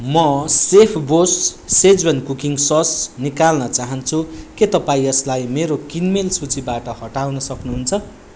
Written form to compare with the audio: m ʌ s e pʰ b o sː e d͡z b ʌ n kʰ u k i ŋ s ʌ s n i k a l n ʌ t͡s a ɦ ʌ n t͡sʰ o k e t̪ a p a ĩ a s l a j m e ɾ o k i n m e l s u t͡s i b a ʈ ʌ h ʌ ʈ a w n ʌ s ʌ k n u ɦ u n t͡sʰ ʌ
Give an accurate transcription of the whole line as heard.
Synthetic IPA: m ʌ s e pʰ b o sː e d͡z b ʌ n k u k i ŋ s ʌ s n i k a l n ʌ t͡s a ɦ ʌ n t͡sʰ u k e t̪ ʌ p a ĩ ʌ s l a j m e ɾ o k i n m e l s u t͡s i b a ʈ ʌ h ʌ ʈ a w n ʌ s ʌ k n u ɦ u n t͡sʰ ʌ

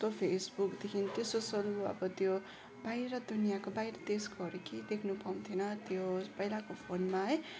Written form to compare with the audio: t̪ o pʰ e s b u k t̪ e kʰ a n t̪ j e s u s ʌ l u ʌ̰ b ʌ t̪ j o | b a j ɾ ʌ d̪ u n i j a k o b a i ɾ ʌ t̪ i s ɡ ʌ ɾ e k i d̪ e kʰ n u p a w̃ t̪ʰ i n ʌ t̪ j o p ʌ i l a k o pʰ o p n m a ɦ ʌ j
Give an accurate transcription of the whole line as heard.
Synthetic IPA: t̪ o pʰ e s b u k d̪ e kʰ i n t̪ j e s o s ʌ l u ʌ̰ b ʌ t̪ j o | b a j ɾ ʌ d̪ u n i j a k o b a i ɾ ʌ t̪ e s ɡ ʌ ɾ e k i d̪ e kʰ n u p a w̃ t̪ʰ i n ʌ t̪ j o p ʌ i l a k o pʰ o n m a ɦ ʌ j

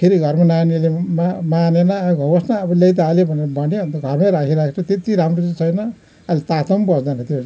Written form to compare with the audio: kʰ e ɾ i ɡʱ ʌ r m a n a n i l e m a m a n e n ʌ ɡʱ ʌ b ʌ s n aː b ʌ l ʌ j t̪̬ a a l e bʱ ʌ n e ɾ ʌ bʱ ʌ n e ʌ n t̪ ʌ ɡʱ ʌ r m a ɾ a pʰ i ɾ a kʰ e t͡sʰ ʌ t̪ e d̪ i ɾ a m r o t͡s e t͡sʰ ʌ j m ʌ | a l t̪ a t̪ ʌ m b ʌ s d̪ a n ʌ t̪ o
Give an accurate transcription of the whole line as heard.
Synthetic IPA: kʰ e ɾ i ɡʱ ʌ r m a n a n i l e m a m a n e n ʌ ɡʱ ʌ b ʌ s n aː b ʌ l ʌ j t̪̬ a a l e bʱ ʌ n e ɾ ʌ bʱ ʌ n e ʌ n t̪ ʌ ɡʱ ʌ r m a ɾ a kʰ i ɾ a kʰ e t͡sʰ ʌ t̪ e t̪ i ɾ a m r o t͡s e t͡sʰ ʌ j n ʌ | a l t̪ a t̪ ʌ m b ʌ s d̪ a n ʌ t̪ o

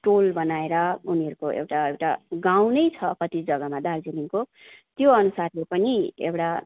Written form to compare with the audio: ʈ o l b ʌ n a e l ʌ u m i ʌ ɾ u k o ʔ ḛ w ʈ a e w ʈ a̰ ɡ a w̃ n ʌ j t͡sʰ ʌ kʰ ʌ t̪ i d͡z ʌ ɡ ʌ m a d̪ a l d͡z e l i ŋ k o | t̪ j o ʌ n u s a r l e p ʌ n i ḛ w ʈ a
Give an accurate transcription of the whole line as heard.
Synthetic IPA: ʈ o l b ʌ n a e ɾ ʌ u n i ʌ ɾ u k o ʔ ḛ w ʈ a e w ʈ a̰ ɡ a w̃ n ʌ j t͡sʰ ʌ k ʌ t̪ i d͡z ʌ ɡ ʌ m a d̪ a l d͡z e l i ŋ k o | t̪ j o ʌ n u s a r l e p ʌ n i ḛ w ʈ a

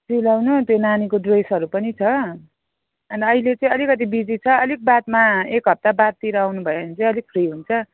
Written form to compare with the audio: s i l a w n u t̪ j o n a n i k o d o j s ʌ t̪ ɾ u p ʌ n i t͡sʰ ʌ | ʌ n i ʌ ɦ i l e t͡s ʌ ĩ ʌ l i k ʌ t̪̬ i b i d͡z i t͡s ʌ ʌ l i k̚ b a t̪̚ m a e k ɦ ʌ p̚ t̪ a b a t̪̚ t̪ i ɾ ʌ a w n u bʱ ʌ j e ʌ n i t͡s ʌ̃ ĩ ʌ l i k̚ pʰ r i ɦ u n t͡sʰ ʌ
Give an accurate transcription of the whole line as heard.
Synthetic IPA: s i l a w n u t̪ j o n a n i k o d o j s ʌ ɾ u p ʌ n i t͡sʰ ʌ | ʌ n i ʌ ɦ i l e t͡s ʌ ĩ ʌ l i k ʌ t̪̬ i b i d͡z i t͡sʰ ʌ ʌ l i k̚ b a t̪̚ m a e k ɦ ʌ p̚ t̪ a b a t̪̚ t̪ i ɾ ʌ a w n u bʱ ʌ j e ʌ n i t͡s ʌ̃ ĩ ʌ l i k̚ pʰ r i ɦ u n t͡sʰ ʌ

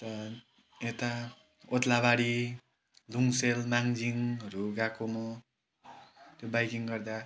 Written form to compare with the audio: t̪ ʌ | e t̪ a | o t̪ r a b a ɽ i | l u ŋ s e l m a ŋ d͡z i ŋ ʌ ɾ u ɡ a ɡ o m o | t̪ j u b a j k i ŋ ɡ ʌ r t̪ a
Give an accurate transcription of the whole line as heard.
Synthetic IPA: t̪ ʌ | e t̪ a | o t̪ l a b a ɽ i | l u ŋ s e l m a ŋ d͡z i ŋ ʌ ɾ u ɡ a k o m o | t̪ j o b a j k i ŋ ɡ ʌ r d̪ a

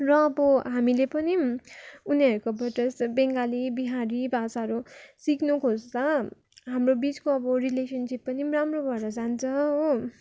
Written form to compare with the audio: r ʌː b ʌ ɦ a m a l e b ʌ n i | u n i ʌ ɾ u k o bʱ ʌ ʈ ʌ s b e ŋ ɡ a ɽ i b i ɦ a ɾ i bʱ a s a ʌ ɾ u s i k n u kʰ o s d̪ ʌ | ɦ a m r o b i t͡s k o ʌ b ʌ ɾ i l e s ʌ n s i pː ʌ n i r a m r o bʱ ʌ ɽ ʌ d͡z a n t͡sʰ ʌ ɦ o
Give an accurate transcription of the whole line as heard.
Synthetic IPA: r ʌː b ʌ ɦ a m i l e p ʌ n i | u n i ʌ ɾ u k o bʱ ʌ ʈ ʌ s b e ŋ ɡ a l i b i ɦ a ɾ i bʱ a s a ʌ ɾ u s i k n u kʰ o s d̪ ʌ | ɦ a m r o b i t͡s k o ʌ b ʌ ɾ i l e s ʌ n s i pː ʌ n i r a m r o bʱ ʌ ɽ ʌ d͡z a n t͡sʰ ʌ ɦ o

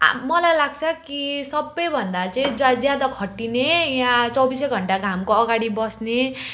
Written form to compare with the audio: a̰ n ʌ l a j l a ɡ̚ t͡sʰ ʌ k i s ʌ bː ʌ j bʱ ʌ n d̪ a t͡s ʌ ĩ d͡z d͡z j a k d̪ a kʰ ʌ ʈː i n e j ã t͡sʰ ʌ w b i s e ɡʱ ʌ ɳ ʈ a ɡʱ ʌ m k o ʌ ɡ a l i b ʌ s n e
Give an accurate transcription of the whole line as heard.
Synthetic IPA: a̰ m ʌ l a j l a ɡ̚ t͡sʰ ʌ k i s ʌ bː ʌ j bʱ ʌ n d̪ a t͡s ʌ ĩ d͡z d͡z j a d̪ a kʰ ʌ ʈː i n e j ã t͡s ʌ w b i s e ɡʱ ʌ ɳ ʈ a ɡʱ a m k o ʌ ɡ a ɽ i b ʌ s n e

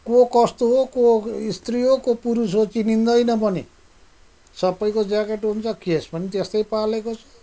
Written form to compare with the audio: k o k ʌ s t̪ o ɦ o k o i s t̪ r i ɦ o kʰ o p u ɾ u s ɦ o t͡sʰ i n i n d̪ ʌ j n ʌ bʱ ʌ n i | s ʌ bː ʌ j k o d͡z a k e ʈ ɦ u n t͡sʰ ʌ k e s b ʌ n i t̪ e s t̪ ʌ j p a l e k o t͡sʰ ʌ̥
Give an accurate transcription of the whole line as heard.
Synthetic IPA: k o k ʌ s t̪ o ɦ o k o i s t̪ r i ɦ o k o p u ɾ u s ɦ o t͡s i n i n d̪ ʌ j n ʌ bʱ ʌ n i | s ʌ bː ʌ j k o d͡z a k e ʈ ɦ u n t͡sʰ ʌ k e s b ʌ n i t̪ e s t̪ ʌ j p a l e k o t͡sʰ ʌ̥

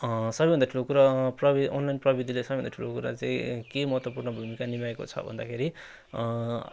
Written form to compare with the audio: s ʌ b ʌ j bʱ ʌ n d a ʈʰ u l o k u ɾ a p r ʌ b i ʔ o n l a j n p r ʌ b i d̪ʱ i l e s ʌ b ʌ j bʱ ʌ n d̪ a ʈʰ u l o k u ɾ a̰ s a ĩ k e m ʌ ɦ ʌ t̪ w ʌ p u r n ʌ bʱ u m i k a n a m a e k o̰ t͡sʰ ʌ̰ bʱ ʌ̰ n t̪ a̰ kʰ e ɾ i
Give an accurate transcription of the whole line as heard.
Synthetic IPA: s ʌ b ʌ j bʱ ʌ n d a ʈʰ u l o k u ɾ a p r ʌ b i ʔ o n l a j n p r ʌ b i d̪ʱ i l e s ʌ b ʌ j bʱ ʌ n d̪ a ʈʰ u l o k u ɾ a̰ t͡s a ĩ k e m ʌ ɦ ʌ t̪ w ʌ p u r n ʌ bʱ u m i k a n i m a e k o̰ t͡sʰ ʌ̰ bʱ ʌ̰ n d̪ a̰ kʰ e ɾ i

